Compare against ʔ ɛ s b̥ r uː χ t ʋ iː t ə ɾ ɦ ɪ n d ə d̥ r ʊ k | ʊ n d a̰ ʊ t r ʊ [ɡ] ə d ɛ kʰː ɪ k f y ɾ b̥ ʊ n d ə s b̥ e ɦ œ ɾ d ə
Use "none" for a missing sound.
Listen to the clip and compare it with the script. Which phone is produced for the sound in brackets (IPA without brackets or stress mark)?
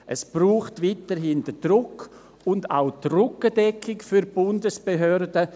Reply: k